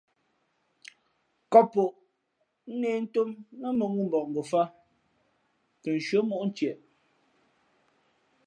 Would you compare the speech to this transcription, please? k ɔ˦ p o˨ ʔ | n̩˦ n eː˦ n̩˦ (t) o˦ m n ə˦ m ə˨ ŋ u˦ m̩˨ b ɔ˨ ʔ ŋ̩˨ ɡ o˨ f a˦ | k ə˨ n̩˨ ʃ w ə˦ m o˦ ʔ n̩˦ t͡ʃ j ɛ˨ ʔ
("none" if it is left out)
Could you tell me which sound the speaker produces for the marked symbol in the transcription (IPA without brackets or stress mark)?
t